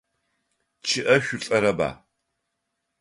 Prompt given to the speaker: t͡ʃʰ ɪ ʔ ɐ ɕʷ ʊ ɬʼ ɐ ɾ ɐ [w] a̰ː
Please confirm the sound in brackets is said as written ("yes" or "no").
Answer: no